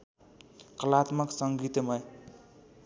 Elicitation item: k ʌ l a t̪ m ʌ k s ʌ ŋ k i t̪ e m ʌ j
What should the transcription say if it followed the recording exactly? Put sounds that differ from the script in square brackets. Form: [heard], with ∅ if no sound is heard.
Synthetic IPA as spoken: k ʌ l a t̪ m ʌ k s ʌ ŋ [ɡ] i t̪ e m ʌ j